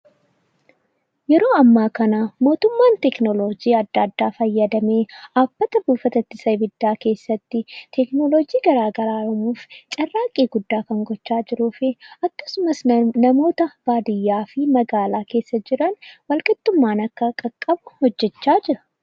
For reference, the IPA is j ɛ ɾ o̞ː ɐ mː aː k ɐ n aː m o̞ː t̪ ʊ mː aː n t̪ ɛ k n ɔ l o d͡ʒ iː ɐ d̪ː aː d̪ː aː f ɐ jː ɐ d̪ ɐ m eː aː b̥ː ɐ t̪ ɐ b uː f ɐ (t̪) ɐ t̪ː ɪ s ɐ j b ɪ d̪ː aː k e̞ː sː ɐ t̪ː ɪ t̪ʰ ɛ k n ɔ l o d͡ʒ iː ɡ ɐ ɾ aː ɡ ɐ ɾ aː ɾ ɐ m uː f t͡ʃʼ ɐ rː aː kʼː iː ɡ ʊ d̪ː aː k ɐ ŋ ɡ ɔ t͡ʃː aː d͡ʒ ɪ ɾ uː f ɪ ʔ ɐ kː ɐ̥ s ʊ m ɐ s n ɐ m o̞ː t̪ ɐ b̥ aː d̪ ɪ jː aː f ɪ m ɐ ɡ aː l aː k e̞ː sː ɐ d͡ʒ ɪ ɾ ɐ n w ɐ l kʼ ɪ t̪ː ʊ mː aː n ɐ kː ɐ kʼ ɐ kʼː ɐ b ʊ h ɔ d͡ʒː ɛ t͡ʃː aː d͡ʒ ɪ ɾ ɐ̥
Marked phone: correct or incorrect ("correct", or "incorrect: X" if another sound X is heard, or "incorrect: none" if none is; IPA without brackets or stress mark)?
correct